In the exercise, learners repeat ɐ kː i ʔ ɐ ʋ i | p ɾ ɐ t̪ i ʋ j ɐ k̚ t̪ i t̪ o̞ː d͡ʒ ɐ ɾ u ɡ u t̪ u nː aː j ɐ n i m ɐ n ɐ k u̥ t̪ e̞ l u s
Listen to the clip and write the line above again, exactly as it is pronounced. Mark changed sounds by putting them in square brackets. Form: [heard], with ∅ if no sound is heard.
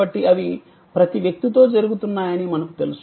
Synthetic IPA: ɐ [ʈː] i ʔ ɐ ʋ i | p ɾ ɐ t̪ i ʋ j ɐ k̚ t̪ i t̪ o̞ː d͡ʒ ɐ ɾ u ɡ u t̪ u nː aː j ɐ n i m ɐ n ɐ k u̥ t̪ e̞ l u s